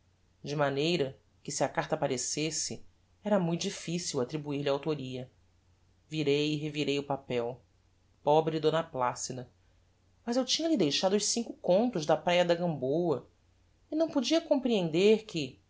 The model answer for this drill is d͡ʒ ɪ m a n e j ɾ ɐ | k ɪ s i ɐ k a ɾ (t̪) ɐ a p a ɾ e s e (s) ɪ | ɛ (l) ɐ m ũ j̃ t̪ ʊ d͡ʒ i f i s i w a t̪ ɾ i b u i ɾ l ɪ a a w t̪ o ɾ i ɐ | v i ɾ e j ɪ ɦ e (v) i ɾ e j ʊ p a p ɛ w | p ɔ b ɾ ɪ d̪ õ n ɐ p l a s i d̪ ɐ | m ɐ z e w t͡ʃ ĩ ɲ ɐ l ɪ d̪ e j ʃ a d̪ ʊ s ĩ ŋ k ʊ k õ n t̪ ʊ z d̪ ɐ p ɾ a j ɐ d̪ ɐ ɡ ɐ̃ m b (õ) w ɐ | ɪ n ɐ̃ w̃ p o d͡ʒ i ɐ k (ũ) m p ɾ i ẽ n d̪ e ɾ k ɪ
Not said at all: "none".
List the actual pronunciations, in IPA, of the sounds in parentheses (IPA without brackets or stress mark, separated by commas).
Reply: t̪, s, ɾ, v, o, õ